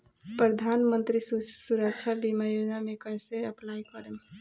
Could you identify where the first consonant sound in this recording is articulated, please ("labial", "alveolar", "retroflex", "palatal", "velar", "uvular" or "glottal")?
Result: labial